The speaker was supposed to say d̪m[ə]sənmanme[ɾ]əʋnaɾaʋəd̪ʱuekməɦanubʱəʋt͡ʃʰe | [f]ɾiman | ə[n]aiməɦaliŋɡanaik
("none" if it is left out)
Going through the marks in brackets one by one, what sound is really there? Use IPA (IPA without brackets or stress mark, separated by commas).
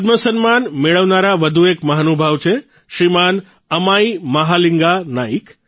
ə, ɭ, ʃ, m